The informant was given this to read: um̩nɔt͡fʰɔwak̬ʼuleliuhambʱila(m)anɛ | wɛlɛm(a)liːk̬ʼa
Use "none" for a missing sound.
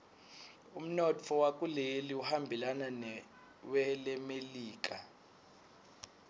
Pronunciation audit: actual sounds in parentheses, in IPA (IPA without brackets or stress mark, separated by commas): n, e